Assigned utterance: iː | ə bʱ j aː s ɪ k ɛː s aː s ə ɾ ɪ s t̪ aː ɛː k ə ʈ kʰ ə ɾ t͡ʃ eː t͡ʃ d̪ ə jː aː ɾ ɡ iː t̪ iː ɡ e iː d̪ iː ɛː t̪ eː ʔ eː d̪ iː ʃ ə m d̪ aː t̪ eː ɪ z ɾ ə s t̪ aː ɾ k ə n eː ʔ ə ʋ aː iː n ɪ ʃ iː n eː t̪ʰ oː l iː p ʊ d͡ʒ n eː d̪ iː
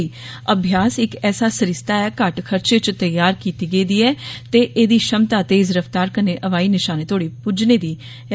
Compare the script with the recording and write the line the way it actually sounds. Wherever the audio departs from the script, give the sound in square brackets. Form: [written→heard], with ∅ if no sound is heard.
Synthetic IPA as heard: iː | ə bʱ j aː s ɪ k ɛː s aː s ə ɾ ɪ s t̪ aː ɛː k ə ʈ kʰ ə ɾ t͡ʃ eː t͡ʃ [d̪→t̪] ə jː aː ɾ [ɡ→k] iː t̪ iː ɡ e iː d̪ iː ɛː t̪ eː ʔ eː d̪ iː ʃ ə m [d̪→t̪] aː t̪ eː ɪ z ɾ ə [s→f] t̪ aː ɾ k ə n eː ʔ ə ʋ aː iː n ɪ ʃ [iː→aː] n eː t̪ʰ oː [l→ɽ] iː p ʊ d͡ʒ n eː d̪ iː